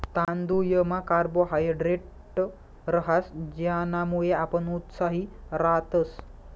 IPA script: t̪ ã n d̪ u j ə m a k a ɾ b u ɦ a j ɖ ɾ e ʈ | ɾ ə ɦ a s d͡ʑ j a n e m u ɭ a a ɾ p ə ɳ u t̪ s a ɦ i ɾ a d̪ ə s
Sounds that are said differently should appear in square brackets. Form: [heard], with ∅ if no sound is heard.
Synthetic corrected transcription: t̪ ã n d̪ u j ə m a k a ɾ b [o] ɦ a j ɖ ɾ e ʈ | ɾ ə ɦ a s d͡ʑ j a n [a] m u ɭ [e] a [∅] p ə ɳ u t̪ s a ɦ i ɾ a [t̪] ə s